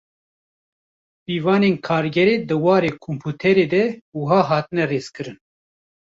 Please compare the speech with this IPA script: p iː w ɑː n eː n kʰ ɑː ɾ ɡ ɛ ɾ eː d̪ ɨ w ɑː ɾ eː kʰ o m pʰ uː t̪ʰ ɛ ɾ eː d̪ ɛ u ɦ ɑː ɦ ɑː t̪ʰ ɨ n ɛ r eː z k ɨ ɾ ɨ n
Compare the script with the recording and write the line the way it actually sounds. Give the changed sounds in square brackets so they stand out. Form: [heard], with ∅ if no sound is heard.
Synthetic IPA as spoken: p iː [v] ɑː n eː n kʰ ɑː ɾ ɡ ɛ ɾ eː d̪ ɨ w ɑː ɾ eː kʰ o m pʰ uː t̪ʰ ɛ ɾ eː d̪ ɛ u ɦ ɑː ɦ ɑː [t̪] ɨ n ɛ r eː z k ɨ ɾ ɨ n